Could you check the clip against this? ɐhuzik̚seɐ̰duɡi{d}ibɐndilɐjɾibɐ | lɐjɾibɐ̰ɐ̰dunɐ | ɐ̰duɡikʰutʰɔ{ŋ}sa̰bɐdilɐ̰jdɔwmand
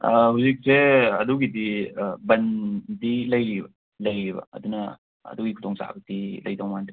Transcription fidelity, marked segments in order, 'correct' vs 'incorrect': correct, correct

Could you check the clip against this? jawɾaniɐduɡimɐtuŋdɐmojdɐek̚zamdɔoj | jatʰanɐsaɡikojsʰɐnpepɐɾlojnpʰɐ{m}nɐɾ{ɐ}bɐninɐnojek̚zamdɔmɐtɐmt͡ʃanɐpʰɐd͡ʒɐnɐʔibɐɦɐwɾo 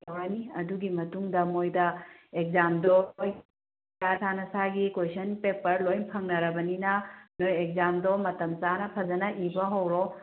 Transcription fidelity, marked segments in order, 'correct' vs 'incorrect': incorrect: ŋ, correct

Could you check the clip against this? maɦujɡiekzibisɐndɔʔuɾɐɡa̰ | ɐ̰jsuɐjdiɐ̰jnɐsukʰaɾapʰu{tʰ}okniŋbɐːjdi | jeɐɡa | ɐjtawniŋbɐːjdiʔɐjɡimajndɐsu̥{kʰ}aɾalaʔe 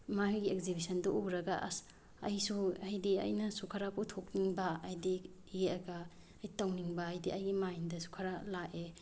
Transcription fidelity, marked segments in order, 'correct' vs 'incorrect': correct, correct

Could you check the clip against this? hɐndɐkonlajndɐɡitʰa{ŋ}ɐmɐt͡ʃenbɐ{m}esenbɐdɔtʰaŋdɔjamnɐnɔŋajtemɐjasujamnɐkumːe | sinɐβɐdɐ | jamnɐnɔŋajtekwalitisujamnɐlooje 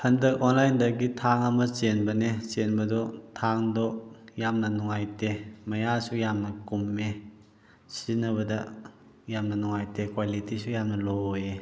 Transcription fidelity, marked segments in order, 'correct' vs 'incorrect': correct, incorrect: n

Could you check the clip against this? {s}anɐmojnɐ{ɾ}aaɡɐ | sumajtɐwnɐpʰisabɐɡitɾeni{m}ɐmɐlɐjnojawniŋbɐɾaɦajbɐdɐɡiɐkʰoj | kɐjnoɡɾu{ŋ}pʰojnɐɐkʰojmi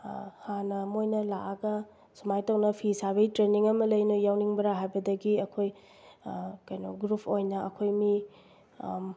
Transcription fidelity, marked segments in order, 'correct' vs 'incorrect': incorrect: h, incorrect: l, incorrect: ŋ, incorrect: none

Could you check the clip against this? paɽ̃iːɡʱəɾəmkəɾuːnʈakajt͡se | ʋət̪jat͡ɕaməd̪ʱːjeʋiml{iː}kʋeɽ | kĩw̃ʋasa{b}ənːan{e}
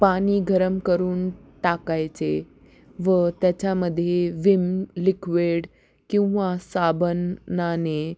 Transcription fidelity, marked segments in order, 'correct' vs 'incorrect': incorrect: i, correct, correct

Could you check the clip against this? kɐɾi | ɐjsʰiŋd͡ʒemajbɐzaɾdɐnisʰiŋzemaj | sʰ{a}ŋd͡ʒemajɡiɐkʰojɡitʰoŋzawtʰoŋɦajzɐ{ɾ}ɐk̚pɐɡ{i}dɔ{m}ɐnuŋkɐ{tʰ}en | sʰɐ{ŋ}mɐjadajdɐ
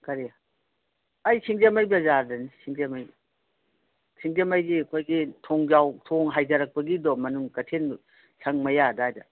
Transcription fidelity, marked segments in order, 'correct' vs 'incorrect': incorrect: i, correct, correct, correct, correct, correct

